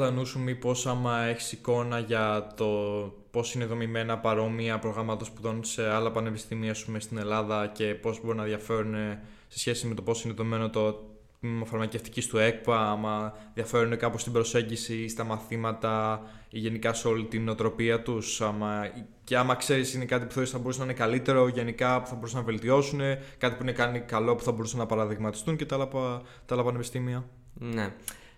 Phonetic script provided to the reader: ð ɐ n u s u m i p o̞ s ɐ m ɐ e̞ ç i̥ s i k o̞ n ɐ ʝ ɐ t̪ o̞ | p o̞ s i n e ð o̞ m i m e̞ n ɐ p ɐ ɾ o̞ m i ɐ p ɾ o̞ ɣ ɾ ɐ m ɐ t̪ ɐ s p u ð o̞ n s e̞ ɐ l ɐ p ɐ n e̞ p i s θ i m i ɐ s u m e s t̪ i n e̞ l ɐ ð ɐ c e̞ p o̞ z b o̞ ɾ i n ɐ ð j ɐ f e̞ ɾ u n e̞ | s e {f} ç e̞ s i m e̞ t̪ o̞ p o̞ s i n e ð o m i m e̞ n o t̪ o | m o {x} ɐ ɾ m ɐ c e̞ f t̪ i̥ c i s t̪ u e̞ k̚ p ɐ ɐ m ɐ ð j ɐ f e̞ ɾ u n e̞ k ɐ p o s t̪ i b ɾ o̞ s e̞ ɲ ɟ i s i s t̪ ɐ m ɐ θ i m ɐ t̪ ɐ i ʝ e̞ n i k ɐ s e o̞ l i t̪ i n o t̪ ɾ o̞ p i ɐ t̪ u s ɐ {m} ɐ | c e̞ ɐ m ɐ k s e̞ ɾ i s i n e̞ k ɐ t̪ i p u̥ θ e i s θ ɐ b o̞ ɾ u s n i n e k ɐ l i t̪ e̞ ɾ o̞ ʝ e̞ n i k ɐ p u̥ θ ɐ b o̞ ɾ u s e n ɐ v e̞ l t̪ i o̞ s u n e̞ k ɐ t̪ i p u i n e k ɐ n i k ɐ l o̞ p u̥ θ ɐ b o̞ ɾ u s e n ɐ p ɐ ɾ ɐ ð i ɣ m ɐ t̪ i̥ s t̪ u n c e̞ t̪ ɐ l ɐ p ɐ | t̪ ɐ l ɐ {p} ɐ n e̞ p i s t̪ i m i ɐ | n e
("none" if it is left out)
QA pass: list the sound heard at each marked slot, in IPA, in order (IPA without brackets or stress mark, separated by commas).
s, f, m, p